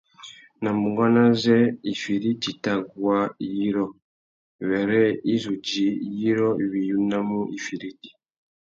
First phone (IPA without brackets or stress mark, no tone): n